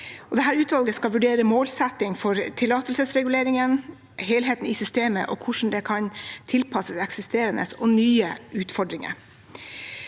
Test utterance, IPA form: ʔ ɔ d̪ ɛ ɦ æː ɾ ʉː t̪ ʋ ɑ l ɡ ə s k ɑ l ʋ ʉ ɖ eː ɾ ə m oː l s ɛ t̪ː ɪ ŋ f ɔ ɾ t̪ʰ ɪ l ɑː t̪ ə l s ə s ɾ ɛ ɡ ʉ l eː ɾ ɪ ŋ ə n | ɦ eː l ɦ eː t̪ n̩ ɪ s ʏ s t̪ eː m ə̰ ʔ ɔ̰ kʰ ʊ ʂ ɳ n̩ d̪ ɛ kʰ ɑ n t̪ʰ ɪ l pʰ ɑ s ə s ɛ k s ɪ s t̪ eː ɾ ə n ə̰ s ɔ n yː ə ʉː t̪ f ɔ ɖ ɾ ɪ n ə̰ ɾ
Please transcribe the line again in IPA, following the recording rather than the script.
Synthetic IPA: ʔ ɔ d̪ ɛ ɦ æː ɾ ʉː t̪ ʋ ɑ l ɡ ə s k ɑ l ʋ ʉ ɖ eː ɾ ə m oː l s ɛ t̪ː ɪ ŋ f ɔ ɾ t̪ʰ ɪ l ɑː t̪ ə l s ə s ɾ ɛ ɡ ʉ l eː ɾ ɪ ŋ ə n | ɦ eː l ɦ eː t̪ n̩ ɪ s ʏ s t̪ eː m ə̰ ʔ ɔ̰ kʰ ʊ ʂ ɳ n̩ d̪ ɛ kʰ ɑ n t̪ʰ ɪ l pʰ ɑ s ə s ɛ k s ɪ s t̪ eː ɾ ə n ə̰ s ɔ n yː ə ʉː t̪ f ɔ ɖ ɾ ɪ ŋ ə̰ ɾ